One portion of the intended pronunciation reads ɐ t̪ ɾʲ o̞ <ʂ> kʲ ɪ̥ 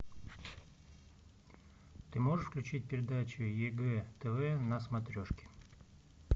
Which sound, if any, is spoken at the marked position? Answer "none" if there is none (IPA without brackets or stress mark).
ʂ